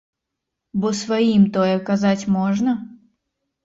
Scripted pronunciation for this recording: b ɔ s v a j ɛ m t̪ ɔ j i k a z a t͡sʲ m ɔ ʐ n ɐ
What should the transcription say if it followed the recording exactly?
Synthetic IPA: b ɔ s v a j i m t̪ ɔ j ɛ k a z a t͡sʲ m ɔ ʐ n ɐ